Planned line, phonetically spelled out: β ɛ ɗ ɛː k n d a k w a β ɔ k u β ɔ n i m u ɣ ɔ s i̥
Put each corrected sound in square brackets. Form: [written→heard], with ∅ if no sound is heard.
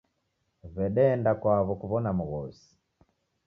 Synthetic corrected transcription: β ɛ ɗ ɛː [k→∅] n d a k w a β ɔ k u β ɔ n [i→a] m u ɣ ɔ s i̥